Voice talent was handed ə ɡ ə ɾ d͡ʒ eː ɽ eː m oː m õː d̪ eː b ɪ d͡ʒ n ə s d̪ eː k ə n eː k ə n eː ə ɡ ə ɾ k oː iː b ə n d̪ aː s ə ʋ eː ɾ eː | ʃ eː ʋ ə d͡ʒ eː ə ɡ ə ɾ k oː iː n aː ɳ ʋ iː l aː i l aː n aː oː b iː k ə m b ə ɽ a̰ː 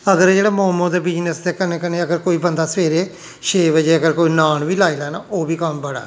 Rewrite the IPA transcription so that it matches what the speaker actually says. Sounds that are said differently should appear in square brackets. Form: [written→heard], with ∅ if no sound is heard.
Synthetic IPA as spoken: ə ɡ ə ɾ d͡ʒ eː ɽ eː m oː m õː d̪ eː b ɪ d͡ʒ n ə s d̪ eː k ə n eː k ə n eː ə ɡ ə ɾ k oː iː b ə n d̪ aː s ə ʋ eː ɾ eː | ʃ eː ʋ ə d͡ʒ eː ə ɡ ə ɾ k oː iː n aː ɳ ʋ iː l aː i l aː n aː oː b iː k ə m b ə ɽ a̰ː